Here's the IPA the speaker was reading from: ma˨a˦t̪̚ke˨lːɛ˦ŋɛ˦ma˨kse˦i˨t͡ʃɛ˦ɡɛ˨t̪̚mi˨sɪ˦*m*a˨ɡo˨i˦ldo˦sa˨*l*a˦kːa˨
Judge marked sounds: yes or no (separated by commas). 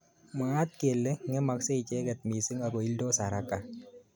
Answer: no, no